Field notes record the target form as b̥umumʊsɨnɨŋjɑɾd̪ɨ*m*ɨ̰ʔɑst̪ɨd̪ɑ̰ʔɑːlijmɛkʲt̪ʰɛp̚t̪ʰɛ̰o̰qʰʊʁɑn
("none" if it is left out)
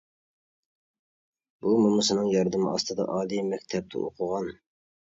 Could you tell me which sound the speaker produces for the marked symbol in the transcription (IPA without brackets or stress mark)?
m